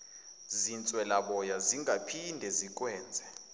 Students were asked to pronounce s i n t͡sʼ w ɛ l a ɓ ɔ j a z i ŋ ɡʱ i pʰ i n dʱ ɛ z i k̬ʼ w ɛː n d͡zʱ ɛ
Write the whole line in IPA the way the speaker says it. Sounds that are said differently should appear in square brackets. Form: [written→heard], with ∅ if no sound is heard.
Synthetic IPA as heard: [s→z] i n t͡sʼ w ɛ l a ɓ ɔ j a z i ŋ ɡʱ [i→a] pʰ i n dʱ ɛ z i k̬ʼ w ɛː n d͡zʱ ɛ